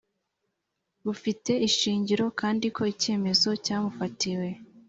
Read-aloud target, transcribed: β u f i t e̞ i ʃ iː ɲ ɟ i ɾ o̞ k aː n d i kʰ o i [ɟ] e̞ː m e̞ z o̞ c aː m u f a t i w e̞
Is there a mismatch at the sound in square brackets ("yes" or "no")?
yes